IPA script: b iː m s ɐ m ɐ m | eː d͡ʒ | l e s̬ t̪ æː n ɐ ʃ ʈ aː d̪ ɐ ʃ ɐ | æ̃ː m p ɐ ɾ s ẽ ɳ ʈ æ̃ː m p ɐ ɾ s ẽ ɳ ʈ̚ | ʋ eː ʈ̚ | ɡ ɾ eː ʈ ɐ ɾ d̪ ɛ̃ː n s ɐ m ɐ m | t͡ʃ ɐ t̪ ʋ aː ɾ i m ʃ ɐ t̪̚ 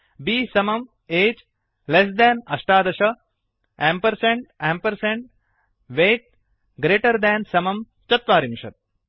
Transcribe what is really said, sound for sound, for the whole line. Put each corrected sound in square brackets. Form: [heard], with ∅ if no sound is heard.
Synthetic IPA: b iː [∅] s ɐ m ɐ m | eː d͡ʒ | l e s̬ [d̪] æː n ɐ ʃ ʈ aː d̪ ɐ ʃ ɐ | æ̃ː m p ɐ ɾ s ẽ ɳ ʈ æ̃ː m p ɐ ɾ s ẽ ɳ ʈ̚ | ʋ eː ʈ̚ | ɡ ɾ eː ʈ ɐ ɾ d̪ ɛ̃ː n s ɐ m ɐ m | t͡ʃ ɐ t̪ ʋ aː ɾ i m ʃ ɐ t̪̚